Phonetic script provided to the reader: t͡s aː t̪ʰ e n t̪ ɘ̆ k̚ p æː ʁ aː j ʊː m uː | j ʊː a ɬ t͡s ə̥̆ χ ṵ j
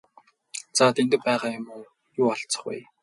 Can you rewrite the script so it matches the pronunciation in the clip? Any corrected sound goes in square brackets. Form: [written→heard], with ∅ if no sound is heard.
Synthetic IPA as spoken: t͡s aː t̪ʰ e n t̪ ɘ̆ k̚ p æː ʁ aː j [ʊː→ʊ] m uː | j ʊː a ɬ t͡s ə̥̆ χ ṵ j